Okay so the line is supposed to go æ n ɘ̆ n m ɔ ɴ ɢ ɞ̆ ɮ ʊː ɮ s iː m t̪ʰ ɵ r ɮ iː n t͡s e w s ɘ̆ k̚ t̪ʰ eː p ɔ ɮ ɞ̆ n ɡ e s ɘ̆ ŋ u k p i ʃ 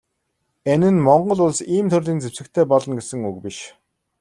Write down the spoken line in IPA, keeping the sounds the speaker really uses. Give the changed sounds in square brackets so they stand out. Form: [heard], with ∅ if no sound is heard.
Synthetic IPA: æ n ɘ̆ n m ɔ ɴ ɢ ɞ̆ ɮ [ʊ] ɮ s iː m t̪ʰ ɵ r ɮ iː n t͡s e w s ɘ̆ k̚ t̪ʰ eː p ɔ ɮ ɞ̆ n ɡ e s ɘ̆ ŋ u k p i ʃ